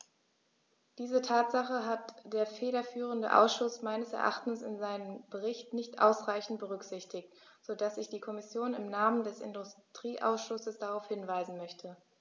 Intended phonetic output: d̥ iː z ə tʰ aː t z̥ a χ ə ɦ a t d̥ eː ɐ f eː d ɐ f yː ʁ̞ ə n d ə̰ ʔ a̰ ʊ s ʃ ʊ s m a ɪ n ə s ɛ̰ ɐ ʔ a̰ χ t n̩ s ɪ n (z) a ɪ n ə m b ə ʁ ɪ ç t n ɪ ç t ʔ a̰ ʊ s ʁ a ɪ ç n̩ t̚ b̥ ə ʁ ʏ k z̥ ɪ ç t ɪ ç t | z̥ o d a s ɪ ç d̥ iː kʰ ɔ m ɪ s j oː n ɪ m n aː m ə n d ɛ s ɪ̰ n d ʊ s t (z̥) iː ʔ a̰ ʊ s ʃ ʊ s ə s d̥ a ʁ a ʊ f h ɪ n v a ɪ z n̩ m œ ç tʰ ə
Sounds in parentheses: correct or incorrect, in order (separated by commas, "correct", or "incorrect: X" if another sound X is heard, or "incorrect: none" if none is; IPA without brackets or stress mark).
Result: correct, incorrect: ʁ̥